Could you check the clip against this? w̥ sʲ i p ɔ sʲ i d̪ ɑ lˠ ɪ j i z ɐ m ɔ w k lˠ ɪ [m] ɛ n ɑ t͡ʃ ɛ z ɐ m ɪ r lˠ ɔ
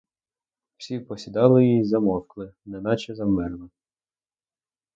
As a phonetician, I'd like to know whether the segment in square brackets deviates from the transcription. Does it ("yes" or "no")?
yes